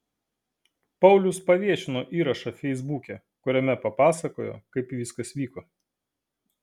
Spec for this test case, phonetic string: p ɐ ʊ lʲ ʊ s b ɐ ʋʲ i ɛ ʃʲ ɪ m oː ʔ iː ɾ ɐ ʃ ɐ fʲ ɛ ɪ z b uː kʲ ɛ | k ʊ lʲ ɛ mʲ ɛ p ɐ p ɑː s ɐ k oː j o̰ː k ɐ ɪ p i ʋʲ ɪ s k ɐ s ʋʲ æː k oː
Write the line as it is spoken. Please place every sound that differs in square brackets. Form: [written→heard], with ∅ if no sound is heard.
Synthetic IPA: p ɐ ʊ lʲ ʊ s [b→p] ɐ ʋʲ i ɛ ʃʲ ɪ [m→n] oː ʔ iː ɾ ɐ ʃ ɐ fʲ ɛ ɪ z b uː kʲ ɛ | k ʊ [lʲ→ɾʲ] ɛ mʲ ɛ p ɐ p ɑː s ɐ k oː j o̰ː k ɐ ɪ p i ʋʲ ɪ s k ɐ s ʋʲ [æː→iː] k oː